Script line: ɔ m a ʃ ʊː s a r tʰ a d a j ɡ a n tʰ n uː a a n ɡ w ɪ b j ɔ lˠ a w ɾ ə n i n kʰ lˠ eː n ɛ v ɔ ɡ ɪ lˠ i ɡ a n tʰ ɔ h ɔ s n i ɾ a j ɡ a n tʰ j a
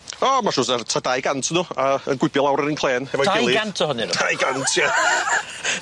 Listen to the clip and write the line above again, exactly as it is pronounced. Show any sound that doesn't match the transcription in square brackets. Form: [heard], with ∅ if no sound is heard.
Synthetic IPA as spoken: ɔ m a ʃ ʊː s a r tʰ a d a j ɡ a n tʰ n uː a [ə] n ɡ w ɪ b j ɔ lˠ a w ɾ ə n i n kʰ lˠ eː n ɛ v ɔ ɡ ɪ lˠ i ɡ a n tʰ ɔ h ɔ [∅] n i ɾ a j ɡ a n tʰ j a